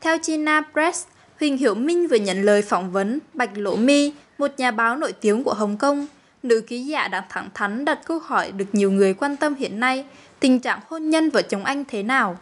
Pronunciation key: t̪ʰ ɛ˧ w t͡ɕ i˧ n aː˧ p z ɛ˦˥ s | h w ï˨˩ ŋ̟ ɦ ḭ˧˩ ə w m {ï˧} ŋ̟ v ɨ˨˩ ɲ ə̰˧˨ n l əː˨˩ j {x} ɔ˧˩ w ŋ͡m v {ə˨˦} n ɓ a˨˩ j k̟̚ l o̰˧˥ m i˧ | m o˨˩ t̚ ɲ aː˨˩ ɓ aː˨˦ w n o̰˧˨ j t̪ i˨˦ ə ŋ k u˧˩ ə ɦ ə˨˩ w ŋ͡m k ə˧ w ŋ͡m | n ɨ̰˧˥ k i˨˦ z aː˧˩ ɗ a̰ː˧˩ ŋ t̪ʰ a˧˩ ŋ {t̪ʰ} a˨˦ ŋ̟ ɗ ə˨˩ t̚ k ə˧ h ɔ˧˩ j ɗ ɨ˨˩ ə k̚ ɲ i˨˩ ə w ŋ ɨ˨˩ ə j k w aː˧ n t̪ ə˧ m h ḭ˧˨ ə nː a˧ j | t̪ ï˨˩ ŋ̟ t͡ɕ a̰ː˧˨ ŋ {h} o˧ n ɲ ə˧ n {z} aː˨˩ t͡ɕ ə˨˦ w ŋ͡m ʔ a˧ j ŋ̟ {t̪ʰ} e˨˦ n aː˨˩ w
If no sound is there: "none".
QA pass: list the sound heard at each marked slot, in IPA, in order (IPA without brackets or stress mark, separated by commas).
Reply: ï˧, f, ə˨˦, t̪ʰ, h, v, t̪ʰ